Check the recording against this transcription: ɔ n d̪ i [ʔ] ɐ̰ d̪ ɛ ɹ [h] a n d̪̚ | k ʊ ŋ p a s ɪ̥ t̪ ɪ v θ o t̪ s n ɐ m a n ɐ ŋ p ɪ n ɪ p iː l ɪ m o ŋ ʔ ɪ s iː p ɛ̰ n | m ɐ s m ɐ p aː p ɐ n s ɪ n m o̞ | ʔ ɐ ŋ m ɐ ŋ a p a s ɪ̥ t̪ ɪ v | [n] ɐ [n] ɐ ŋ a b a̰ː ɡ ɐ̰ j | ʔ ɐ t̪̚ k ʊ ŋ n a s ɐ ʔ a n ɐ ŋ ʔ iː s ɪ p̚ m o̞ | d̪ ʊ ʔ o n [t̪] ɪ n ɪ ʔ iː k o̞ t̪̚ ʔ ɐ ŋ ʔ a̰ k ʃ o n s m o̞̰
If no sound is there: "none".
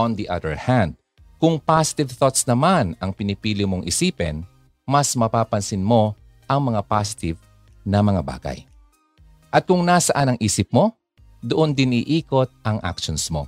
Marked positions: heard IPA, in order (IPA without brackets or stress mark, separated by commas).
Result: ʔ, h, n, m, d̪